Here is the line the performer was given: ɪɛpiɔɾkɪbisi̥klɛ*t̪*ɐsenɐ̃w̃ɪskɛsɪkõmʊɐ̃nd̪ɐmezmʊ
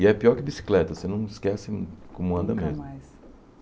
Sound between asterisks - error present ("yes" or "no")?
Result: no